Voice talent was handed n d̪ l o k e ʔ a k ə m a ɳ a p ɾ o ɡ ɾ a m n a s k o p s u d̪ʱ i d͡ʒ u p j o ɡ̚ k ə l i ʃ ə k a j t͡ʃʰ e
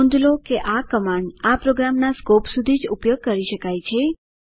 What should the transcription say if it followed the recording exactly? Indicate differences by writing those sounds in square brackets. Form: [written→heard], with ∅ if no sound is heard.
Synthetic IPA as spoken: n d̪ l o k e ʔ a k ə m a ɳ a p ɾ o ɡ ɾ a m n a s k o p s u d̪ʱ i d͡ʒ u p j o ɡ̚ k ə [l→ɾ] i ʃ ə k a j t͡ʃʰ e